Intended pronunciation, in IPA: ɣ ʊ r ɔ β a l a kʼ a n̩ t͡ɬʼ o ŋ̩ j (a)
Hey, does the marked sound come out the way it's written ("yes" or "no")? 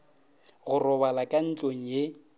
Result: no